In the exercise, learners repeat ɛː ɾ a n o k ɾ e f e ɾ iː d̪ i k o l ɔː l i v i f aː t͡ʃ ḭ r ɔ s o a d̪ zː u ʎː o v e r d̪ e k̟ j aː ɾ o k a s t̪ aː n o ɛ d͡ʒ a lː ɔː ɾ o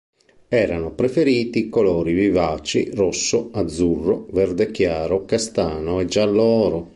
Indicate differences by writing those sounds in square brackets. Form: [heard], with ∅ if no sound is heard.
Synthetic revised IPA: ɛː ɾ a n o [p] ɾ e f e ɾ iː [t̪] i k o l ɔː [ɾ] i v i [v] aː t͡ʃ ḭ r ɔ [sː] o a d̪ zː u [rː] o v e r d̪ e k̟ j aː ɾ o k a s t̪ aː n o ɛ d͡ʒ a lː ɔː ɾ o